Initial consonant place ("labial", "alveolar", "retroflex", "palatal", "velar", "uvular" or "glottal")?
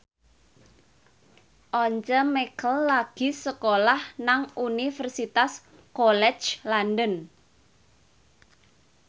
glottal